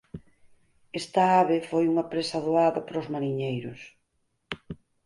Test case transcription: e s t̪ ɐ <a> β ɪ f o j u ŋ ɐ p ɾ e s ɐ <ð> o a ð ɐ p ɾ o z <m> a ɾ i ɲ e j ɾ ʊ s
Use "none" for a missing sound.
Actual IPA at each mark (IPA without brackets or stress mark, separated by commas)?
a, ð, m